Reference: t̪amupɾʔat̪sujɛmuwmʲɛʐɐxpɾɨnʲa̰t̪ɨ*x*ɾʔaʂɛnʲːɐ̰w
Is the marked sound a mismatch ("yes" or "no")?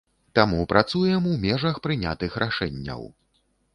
no